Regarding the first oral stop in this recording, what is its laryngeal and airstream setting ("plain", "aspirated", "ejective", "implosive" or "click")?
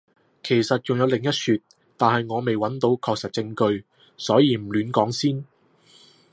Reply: aspirated